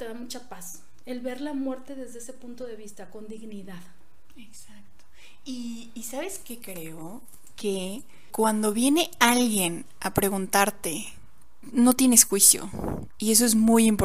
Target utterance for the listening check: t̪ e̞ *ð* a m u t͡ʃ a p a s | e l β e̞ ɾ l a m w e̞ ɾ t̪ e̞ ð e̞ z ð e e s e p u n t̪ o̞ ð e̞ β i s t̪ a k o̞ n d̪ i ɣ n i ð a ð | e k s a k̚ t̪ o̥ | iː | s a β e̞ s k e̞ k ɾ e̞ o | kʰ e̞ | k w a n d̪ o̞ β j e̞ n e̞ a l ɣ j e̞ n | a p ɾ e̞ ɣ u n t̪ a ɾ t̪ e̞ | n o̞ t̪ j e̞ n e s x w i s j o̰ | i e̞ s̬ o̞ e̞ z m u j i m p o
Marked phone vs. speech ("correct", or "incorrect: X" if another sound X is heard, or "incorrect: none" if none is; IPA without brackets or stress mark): correct